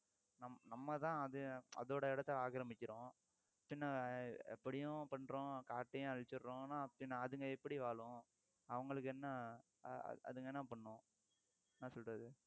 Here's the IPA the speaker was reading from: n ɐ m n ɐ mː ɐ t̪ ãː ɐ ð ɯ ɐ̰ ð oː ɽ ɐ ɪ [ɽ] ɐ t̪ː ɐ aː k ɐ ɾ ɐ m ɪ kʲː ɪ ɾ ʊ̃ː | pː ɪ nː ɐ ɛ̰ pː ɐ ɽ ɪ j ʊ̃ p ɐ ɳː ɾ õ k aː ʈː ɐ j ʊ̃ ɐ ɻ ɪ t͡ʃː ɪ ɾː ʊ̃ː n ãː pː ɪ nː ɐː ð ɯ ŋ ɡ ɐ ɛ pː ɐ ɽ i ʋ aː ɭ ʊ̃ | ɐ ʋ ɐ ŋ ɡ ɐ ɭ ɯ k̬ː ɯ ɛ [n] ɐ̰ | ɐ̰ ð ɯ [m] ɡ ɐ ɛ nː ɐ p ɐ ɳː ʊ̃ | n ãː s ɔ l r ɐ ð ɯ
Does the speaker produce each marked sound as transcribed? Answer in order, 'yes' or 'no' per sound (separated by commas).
yes, no, no